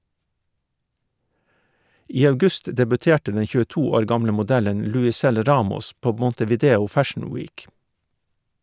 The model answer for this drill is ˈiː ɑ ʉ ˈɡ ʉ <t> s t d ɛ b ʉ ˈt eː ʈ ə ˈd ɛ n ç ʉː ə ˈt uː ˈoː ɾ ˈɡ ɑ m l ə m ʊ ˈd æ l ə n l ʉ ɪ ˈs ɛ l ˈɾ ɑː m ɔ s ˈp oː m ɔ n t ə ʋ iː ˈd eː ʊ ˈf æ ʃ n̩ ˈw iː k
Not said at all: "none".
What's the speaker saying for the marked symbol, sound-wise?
none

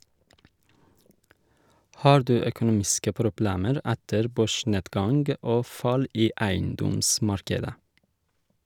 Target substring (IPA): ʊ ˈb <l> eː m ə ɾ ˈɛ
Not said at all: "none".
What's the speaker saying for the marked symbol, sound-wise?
l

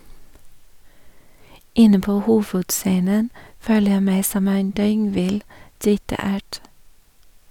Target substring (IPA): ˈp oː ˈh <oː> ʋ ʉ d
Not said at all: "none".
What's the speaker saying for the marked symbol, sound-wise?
uː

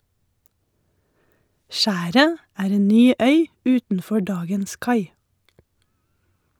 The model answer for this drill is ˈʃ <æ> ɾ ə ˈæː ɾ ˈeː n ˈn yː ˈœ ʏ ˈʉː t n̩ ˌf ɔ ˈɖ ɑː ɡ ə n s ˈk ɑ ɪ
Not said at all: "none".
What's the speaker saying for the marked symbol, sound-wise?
æː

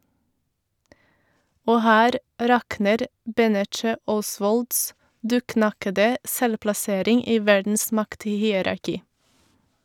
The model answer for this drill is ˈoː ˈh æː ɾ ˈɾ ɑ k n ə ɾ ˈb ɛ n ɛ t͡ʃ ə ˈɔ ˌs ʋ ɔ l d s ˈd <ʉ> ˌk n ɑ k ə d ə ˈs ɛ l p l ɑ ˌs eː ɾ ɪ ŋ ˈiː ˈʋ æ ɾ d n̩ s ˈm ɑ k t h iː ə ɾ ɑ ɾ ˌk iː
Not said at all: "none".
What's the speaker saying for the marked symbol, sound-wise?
ʉː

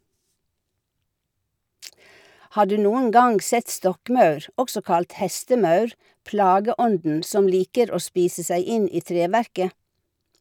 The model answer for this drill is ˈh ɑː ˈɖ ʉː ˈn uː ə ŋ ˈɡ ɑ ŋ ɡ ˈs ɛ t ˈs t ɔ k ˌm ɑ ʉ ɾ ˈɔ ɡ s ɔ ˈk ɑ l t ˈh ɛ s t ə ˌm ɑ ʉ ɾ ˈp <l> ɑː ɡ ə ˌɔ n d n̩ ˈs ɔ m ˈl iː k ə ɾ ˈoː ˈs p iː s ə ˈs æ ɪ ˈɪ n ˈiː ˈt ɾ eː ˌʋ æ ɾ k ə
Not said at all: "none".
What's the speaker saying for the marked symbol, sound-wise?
l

